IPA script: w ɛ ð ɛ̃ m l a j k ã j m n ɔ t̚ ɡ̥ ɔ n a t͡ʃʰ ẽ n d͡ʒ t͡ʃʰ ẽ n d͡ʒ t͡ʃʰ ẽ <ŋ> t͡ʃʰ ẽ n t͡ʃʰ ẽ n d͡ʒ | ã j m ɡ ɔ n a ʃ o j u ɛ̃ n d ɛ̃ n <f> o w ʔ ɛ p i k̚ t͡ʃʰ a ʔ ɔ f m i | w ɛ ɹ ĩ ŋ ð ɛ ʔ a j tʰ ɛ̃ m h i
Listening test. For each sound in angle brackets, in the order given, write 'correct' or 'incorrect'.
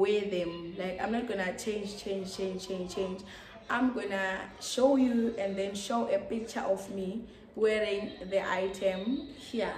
incorrect, incorrect

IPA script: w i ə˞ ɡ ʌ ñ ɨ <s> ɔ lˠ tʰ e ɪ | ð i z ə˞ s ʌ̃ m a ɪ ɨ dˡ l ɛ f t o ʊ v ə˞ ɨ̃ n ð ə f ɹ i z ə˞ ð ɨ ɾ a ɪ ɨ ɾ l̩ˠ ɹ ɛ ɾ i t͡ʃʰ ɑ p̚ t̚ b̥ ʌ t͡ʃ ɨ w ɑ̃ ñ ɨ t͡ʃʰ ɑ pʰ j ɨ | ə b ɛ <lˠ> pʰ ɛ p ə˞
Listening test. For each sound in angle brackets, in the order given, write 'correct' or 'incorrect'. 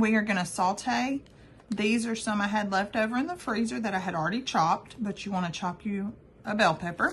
correct, correct

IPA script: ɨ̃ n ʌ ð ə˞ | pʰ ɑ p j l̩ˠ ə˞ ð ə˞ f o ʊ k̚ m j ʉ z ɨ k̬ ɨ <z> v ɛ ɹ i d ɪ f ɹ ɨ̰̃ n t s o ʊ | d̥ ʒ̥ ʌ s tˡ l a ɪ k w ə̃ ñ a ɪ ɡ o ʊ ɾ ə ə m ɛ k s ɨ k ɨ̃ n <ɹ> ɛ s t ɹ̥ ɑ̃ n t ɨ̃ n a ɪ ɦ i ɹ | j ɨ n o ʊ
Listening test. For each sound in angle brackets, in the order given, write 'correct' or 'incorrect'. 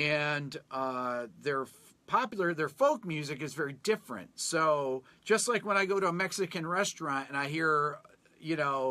correct, correct

